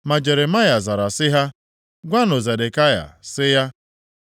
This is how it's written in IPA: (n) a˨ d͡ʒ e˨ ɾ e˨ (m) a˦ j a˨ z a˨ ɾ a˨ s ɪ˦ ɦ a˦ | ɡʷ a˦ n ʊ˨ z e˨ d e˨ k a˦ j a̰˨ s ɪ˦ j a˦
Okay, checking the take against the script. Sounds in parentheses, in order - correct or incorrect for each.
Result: incorrect: m, correct

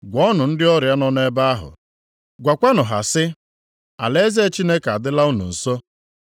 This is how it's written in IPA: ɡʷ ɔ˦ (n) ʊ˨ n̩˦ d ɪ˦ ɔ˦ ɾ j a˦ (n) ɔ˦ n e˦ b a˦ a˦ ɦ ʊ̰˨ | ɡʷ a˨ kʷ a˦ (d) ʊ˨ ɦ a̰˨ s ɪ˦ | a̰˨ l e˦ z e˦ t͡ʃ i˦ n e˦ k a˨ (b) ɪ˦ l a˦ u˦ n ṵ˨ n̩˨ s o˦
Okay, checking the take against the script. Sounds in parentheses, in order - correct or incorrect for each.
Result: correct, correct, incorrect: n, incorrect: d

